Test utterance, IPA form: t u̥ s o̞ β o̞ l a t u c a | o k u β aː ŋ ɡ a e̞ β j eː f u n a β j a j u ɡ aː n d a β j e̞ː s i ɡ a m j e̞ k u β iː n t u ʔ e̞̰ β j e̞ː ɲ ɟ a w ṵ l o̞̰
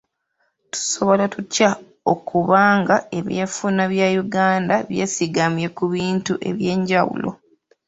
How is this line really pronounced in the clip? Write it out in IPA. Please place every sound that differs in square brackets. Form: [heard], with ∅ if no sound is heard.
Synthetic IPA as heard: t u̥ s o̞ β o̞ l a t u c a | o k u β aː ŋ ɡ a e̞ β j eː f u n a β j a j u ɡ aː n d a β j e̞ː s i ɡ a m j e̞ k u β iː n t u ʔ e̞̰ β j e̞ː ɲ ɟ a w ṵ l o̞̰